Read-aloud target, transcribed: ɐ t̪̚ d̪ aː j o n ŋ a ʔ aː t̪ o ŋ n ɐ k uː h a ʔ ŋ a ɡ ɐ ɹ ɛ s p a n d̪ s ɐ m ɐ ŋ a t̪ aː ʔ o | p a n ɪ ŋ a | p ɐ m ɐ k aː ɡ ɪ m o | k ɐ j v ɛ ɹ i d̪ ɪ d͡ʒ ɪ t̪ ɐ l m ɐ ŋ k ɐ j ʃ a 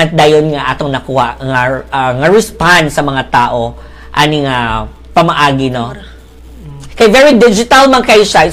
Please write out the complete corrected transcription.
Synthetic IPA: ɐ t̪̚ d̪ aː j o n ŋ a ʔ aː t̪ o ŋ n ɐ k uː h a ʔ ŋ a ŋ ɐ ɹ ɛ s p a n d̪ s ɐ m ɐ ŋ a t̪ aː ʔ o | ʔ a n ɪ ŋ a | p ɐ m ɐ ʔ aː ɡ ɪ n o | k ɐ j v ɛ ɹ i d̪ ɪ d͡ʒ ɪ t̪ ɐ l m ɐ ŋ k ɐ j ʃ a